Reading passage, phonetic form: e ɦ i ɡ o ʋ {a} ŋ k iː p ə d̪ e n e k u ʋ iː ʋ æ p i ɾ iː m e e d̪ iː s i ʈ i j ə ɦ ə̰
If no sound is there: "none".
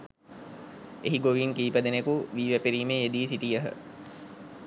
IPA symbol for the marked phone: i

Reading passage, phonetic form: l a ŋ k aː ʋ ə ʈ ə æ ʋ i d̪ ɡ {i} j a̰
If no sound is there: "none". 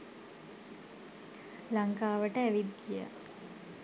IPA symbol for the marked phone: i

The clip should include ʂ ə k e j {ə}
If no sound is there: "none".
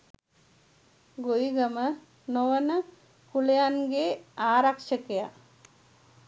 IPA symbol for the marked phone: a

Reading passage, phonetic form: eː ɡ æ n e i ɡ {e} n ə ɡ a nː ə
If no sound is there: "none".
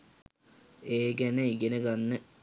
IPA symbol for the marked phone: e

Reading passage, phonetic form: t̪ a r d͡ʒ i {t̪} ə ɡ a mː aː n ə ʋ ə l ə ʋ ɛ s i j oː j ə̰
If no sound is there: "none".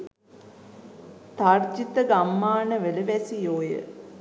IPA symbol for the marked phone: t̪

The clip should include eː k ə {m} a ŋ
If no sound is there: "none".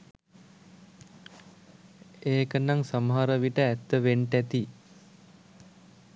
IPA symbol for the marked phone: n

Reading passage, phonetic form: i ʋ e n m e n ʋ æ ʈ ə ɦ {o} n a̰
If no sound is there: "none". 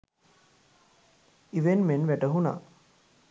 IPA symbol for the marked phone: u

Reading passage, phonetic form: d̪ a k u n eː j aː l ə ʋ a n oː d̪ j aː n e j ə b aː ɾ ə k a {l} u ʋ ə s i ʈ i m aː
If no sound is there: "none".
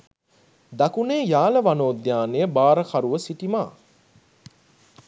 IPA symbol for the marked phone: ɾ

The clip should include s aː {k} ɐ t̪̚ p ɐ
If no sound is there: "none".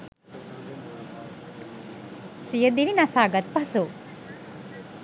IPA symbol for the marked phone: ɡ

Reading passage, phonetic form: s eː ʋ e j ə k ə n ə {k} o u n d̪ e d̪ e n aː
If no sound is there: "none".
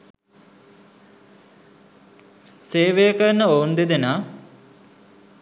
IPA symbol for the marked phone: none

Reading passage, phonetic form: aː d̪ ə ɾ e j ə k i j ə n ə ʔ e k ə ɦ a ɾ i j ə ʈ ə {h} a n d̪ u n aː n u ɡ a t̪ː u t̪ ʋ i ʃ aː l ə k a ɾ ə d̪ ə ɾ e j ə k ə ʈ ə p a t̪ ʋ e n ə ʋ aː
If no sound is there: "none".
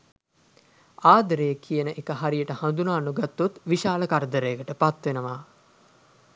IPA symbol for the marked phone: h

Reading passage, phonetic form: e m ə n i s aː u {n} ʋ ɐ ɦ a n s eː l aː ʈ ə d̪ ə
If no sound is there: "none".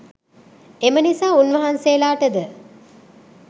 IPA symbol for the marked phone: n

